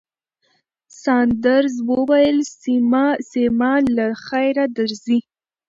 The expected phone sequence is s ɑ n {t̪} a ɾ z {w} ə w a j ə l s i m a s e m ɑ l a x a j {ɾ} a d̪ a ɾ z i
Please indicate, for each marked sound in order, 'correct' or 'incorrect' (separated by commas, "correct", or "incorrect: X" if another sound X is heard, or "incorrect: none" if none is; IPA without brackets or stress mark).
incorrect: d̪, correct, correct